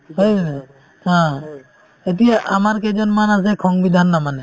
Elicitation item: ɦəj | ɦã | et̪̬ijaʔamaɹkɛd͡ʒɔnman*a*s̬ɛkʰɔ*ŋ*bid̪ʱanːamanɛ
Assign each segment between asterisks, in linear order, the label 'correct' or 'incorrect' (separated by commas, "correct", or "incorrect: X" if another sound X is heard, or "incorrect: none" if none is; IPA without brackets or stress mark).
correct, correct